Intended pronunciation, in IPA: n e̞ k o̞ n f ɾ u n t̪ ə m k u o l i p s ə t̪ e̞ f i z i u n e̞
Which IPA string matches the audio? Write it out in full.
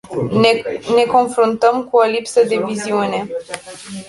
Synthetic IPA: n e̞ k o̞ n f ɾ u n t̪ ə m k u o l i p s ə d̪ e̞ v i z i u n e̞

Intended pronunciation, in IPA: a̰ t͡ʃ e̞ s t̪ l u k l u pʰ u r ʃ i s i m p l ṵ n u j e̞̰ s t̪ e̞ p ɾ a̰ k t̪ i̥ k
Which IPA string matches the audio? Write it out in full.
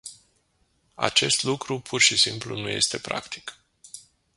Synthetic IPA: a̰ t͡ʃ e̞ s t̪ l u k ɾ u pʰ u r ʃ i s i m p l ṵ n u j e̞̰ s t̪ e̞ p ɾ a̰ k t̪ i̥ k

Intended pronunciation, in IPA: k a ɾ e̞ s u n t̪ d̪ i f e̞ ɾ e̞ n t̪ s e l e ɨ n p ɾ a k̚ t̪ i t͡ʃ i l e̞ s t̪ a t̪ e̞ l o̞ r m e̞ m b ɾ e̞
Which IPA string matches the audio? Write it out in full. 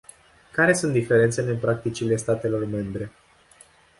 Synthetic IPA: k a ɾ e̞ s u n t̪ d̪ i f e̞ ɾ e̞ n t̪ s e l e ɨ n p ɾ a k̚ t̪ i t͡ʃ i l e̞ s t̪ a t̪ e̞ l o̞ r m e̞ m b ɾ e̞

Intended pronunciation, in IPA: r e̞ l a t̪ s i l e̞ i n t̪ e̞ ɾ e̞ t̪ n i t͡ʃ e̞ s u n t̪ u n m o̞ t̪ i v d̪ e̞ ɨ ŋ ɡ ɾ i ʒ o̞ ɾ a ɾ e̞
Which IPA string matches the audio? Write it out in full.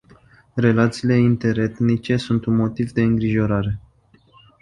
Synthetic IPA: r e̞ l a t̪ s iː l e̞ i n t̪ e̞ ɾ e̞ t̪ n i t͡ʃ e̞ s u n t̪ u n m o̞ t̪ i v d̪ e̞ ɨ ŋ ɡ ɾ i ʒ o̞ ɾ a ɾ e̞

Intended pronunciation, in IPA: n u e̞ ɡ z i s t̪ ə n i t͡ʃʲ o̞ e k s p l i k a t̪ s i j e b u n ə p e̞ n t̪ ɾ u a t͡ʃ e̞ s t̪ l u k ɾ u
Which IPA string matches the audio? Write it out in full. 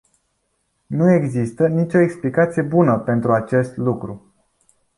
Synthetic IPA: n u e̞ ɡ z i s t̪ ə n i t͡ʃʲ o̞ e k s p l i k a t̪ s i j e b u n ə p e̞ n t̪ ɾ u a t͡ʃ e̞ s t̪ l u k ɾ u

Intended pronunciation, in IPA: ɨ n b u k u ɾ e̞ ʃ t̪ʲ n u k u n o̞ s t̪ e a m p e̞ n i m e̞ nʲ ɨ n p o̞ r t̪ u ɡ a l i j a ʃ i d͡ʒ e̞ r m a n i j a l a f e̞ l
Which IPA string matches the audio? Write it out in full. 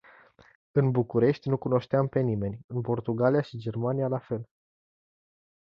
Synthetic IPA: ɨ n b u k u ɾ e̞ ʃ t̪ʲ n u k u n o̞ ʃ t̪ e a m p e̞ n i m e̞ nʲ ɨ n p o̞ r t̪ u ɡ a l i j a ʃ i d͡ʒ e̞ r m a n i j a l a f e̞ l

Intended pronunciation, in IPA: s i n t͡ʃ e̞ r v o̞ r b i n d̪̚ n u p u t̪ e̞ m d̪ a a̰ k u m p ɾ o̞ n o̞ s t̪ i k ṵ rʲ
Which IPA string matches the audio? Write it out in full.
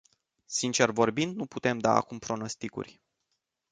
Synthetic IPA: s i n t͡ʃ e̞ r v o̞ r b i n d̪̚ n u p u t̪ e̞ m d̪ a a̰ k u m p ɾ o̞ n o̞ s t̪ i k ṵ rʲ

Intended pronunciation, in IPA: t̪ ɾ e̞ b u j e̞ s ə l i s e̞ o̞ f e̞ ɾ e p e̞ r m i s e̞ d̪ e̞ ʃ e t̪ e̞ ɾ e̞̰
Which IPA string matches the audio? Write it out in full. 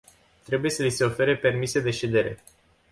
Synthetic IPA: t̪ ɾ e̞ b u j e̞ s ə l i s e̞ o̞ f e̞ ɾ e p e̞ r m i s e̞ d̪ e̞ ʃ e d̪ e̞ ɾ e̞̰

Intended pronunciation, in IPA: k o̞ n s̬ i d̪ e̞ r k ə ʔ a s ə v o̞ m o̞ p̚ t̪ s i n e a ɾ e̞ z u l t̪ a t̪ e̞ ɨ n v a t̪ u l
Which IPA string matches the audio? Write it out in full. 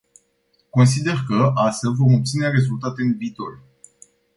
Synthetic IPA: k o̞ n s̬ i d̪ e̞ r k ə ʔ a s ə v o̞ m o̞ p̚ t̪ s i n e a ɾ e̞ z u l t̪ a t̪ e̞ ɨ n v i t̪ o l

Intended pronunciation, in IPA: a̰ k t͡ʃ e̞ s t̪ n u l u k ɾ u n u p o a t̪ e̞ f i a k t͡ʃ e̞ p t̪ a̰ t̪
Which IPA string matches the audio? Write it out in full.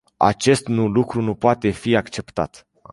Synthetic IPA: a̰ t͡ʃ e̞ s t̪ n u l u k ɾ u n u p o a t̪ e̞ f i a k t͡ʃ e̞ p t̪ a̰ t̪

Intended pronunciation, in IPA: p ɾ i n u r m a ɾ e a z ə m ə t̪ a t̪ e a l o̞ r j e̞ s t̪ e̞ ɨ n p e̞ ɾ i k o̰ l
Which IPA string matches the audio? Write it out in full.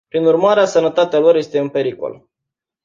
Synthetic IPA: p ɾ i n u r m a ɾ e a s ə n ə t̪ a t̪ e a l o̞ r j e̞ s t̪ e̞ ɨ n p e̞ ɾ i k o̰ l

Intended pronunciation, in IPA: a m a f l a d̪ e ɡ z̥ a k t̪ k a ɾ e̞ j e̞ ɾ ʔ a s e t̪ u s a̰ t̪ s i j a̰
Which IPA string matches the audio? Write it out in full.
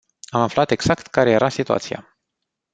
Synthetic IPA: a m a f l a t̪ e ɡ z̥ a k t̪ k a ɾ e̞ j e̞ ɾ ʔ a s i t̪ u a̰ t̪ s i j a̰

